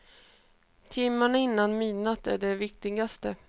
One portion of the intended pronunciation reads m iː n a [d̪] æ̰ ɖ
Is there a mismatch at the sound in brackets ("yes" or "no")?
yes